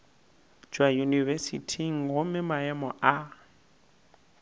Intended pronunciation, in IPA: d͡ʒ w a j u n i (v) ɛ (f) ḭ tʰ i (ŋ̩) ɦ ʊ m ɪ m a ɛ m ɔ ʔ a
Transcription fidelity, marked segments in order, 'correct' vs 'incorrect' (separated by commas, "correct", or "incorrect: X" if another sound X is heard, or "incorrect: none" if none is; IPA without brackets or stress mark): correct, incorrect: s, correct